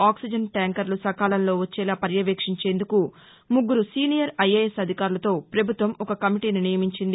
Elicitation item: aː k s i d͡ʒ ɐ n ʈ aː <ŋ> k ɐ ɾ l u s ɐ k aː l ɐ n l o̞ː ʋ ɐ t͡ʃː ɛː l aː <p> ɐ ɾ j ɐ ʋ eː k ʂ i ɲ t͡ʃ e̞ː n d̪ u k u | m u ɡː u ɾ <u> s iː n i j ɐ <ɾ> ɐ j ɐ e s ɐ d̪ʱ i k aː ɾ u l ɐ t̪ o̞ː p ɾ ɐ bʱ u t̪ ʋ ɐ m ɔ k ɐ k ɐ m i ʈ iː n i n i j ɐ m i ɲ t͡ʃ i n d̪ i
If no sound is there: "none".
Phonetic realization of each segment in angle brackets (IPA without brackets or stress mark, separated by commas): ŋ, p, u, ɾ